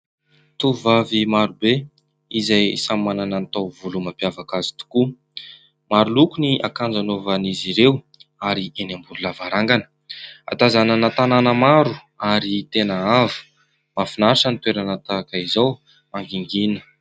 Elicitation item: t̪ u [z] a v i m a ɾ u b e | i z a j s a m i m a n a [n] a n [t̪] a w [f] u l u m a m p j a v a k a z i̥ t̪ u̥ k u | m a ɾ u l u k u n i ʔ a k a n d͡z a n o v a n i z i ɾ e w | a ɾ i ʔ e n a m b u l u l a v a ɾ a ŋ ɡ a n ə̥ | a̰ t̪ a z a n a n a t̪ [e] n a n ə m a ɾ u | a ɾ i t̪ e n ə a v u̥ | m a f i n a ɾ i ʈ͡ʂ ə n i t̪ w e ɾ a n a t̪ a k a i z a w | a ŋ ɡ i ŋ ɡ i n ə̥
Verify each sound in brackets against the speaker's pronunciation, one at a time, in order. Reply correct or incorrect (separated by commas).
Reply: incorrect, correct, correct, incorrect, incorrect